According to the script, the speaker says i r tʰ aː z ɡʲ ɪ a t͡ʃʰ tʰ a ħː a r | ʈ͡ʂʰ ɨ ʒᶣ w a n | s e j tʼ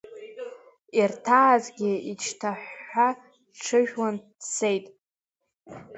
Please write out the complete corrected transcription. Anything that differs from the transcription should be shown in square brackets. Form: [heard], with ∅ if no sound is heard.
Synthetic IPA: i r tʰ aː z ɡʲ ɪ [i] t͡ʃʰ tʰ a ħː a [∅] | ʈ͡ʂʰ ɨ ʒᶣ w a n | s e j tʼ

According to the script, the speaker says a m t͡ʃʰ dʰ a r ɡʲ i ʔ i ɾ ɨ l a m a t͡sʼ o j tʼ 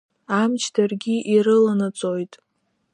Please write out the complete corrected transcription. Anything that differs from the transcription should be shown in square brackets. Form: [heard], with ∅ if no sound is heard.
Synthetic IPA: a m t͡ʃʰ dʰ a r ɡʲ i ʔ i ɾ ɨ l a [n] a t͡sʼ o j tʼ

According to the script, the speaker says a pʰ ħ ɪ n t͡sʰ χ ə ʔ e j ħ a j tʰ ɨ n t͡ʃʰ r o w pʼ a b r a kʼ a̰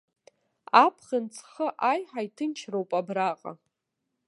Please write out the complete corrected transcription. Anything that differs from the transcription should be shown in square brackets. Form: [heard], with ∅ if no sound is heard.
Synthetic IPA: a pʰ [χ] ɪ n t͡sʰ χ ə ʔ [a] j ħ a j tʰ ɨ n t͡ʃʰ r o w pʼ a b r a [qʼ] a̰

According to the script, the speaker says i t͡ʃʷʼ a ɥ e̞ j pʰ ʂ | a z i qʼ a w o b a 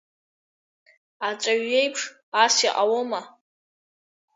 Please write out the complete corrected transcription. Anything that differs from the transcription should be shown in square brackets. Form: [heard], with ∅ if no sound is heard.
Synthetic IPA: [a] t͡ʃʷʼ a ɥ e̞ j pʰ ʂ | a [s] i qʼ a w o [m] a

